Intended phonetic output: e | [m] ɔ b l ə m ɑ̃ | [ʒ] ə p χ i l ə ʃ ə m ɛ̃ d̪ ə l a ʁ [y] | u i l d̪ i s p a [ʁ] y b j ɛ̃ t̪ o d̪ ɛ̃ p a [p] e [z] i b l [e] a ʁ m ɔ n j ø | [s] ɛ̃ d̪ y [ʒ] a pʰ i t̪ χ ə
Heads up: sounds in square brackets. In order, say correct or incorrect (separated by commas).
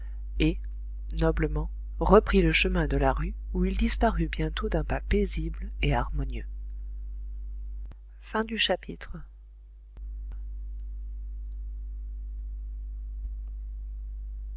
incorrect, incorrect, correct, correct, correct, correct, correct, incorrect, incorrect